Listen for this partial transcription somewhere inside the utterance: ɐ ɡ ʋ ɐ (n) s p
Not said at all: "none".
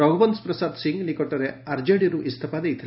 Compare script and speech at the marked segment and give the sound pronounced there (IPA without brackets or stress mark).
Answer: n